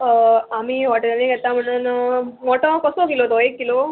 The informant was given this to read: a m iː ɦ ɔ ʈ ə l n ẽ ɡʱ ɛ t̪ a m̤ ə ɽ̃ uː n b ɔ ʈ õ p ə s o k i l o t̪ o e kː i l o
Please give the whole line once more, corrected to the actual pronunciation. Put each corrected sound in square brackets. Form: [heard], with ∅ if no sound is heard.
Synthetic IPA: a m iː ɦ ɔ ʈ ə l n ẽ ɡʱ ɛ t̪ a m̤ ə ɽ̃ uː n [m] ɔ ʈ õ [k] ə s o k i l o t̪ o e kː i l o